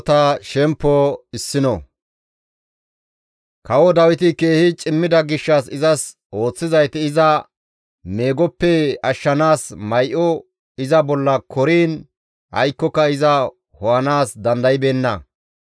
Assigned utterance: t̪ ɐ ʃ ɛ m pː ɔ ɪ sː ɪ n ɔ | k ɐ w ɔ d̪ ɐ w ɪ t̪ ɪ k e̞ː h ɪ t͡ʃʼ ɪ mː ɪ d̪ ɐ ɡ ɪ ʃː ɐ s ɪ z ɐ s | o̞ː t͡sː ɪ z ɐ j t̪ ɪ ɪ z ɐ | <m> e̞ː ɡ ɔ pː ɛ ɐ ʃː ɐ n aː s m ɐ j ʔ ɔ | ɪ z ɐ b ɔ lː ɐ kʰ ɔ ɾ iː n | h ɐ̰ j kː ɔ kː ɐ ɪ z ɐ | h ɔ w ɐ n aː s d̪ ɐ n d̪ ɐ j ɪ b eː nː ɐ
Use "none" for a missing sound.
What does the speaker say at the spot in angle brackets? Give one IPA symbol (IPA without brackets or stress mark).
m